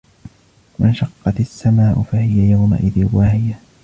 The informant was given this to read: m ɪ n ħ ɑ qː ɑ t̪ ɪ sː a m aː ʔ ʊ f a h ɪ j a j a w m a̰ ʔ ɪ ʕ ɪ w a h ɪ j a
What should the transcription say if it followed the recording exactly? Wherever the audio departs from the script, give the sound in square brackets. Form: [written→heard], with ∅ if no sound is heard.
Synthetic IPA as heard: m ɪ n [ħ→ʃ] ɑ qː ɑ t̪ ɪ sː a m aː ʔ ʊ f a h ɪ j a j a w m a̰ ʔ ɪ [ʕ→ð] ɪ w a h ɪ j a